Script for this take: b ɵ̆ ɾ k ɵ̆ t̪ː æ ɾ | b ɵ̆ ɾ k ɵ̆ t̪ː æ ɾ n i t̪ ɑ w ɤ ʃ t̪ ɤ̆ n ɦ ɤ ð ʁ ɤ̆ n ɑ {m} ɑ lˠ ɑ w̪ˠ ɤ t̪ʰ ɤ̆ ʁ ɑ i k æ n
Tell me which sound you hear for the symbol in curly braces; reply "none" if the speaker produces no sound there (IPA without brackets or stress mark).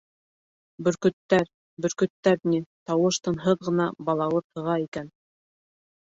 b